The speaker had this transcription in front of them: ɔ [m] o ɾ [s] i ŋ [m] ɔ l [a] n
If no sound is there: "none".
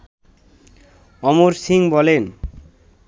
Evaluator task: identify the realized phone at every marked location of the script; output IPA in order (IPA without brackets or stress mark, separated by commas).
m, s, b, e